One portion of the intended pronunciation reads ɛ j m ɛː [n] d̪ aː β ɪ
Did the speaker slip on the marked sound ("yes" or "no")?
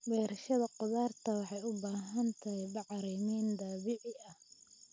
no